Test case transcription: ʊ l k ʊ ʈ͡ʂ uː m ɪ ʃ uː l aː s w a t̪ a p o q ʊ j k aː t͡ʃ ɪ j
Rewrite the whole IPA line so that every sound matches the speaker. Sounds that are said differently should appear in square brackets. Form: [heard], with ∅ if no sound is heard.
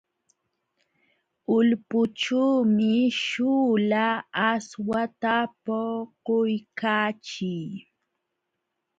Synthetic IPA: ʊ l [p] ʊ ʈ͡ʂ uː m ɪ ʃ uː l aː s w a t̪ a p o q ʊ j k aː t͡ʃ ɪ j